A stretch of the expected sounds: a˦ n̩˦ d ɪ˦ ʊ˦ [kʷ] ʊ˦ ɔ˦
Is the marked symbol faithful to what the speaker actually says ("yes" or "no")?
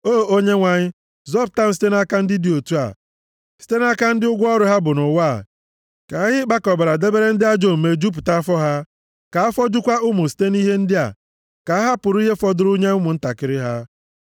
no